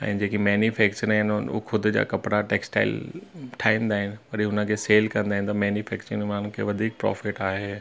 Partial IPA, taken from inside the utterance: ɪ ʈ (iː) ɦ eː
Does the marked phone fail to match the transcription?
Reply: yes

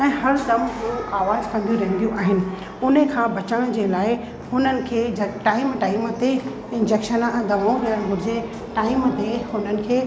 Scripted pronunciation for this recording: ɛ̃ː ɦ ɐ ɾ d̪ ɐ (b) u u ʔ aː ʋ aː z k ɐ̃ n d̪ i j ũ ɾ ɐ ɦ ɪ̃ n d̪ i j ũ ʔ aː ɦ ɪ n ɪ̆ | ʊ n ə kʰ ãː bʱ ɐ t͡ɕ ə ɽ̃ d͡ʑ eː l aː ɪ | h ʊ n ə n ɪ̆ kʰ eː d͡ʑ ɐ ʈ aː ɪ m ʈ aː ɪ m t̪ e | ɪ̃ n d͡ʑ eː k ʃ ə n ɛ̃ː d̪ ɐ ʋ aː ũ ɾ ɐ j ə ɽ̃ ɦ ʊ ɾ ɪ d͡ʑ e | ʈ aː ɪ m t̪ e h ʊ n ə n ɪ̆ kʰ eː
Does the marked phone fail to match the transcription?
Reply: yes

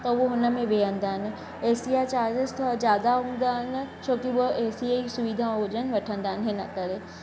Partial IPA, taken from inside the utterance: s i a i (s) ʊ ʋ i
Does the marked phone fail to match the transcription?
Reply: no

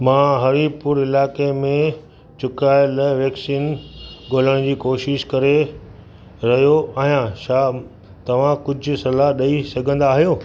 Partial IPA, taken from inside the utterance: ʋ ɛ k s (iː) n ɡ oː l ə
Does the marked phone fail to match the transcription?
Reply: no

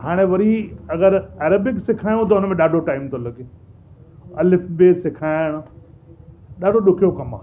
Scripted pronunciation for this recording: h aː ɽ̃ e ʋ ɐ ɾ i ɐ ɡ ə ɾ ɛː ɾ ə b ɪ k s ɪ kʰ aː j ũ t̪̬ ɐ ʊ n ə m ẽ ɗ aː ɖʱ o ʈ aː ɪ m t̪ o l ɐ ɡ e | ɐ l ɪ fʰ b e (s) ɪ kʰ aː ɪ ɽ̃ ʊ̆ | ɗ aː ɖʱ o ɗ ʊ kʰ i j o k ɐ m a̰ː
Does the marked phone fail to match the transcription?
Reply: no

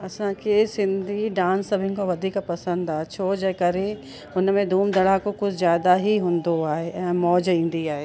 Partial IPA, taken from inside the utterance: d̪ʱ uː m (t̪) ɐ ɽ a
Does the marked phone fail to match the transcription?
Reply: yes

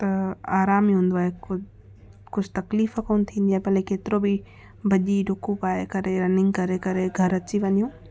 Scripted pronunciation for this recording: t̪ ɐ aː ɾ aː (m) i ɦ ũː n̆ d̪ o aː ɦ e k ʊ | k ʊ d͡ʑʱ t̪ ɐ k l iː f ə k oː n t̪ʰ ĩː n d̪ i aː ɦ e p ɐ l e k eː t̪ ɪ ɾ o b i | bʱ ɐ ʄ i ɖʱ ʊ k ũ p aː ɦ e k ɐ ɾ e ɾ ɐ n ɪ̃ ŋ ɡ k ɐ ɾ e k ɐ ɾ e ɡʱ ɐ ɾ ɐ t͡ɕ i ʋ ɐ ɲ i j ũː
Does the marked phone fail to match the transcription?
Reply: no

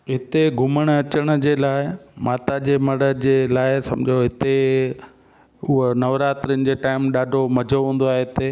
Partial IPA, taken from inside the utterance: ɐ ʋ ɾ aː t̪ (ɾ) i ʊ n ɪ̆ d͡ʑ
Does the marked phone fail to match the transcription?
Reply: no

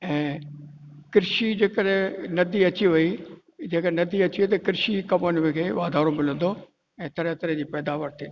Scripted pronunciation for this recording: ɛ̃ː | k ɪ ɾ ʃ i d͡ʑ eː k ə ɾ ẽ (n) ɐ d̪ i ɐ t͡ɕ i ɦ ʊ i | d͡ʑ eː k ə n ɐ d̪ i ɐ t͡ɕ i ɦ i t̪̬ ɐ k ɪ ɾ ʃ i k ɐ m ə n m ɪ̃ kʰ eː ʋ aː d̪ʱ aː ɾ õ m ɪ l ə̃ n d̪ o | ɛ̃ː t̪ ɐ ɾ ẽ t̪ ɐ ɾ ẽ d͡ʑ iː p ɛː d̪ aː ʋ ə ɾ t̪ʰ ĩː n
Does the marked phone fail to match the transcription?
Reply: no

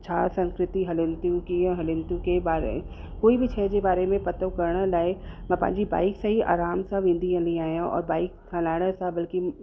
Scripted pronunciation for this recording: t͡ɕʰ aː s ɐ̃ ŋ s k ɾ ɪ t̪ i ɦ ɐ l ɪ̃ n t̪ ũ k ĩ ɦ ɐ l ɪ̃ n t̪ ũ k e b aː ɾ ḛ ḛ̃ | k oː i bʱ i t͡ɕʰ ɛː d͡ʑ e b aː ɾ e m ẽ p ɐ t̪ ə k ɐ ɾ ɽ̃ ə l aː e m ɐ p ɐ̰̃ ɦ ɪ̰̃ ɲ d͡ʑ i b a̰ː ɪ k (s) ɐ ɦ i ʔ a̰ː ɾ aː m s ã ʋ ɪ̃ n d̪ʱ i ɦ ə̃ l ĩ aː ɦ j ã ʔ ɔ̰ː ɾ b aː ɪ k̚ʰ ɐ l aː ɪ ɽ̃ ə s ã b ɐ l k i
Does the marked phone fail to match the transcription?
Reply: no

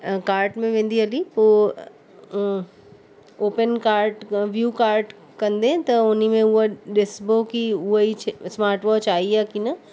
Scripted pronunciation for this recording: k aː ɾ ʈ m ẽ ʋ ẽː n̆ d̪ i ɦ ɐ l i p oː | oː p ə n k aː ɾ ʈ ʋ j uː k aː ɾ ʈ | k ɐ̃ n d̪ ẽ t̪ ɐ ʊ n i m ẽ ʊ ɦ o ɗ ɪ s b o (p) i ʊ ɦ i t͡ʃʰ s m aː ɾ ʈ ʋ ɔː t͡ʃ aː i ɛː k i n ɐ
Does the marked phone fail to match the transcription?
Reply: yes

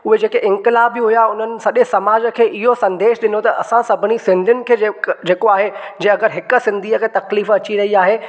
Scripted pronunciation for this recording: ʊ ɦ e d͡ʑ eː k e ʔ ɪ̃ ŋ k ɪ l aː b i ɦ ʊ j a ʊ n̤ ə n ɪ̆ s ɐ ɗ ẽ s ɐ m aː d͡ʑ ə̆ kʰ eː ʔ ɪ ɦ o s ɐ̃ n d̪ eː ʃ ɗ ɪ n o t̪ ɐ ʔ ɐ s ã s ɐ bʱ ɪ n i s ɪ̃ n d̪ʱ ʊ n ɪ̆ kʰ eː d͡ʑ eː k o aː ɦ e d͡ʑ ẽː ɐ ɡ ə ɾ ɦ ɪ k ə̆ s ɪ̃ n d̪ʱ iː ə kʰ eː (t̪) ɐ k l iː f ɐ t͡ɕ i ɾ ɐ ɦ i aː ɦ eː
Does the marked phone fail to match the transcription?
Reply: no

